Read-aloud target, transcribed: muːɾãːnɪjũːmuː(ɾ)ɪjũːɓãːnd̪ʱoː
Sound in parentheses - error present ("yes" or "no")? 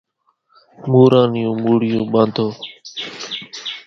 yes